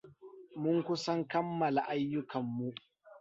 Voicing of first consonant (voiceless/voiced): voiced